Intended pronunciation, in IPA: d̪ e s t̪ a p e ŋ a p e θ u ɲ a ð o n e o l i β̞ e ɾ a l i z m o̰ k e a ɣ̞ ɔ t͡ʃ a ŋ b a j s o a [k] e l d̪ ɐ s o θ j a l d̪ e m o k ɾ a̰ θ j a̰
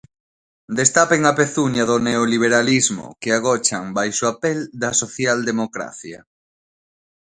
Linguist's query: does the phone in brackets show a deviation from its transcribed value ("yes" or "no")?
yes